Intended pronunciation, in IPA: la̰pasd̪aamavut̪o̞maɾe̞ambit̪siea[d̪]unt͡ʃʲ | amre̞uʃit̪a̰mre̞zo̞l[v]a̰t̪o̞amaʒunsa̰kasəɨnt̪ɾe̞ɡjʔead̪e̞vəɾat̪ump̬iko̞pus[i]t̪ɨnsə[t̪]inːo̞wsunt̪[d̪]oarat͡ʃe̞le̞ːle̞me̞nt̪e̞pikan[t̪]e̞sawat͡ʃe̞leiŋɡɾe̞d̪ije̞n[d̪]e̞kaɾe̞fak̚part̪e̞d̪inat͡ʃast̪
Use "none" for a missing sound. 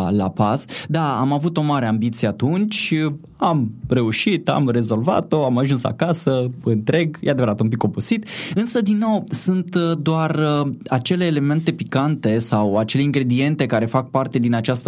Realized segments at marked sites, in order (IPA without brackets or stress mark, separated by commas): t̪, v, i, d̪, d̪, t̪, t̪